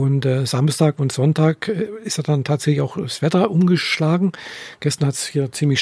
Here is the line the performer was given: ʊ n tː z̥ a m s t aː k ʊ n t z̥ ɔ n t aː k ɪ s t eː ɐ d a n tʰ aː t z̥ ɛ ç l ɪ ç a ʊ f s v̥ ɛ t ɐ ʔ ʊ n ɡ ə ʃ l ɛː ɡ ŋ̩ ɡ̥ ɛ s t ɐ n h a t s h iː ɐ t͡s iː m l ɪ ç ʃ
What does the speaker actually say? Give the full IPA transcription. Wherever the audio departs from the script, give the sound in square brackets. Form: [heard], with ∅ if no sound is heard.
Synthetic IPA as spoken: ʊ n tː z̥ a m s t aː k ʊ n t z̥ ɔ n t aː k ɪ s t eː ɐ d a n tʰ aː t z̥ ɛ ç l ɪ ç a ʊ [x] s v̥ ɛ t ɐ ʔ ʊ [m] ɡ ə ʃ l [aː] ɡ ŋ̩ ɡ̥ ɛ s t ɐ n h a t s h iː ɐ t͡s iː m l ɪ ç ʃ